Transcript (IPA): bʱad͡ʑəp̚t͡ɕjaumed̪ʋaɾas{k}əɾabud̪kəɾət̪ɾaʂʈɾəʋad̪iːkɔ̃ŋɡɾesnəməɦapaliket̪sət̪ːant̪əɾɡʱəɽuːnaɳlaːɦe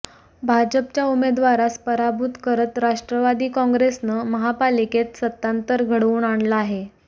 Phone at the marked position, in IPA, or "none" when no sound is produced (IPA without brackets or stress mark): p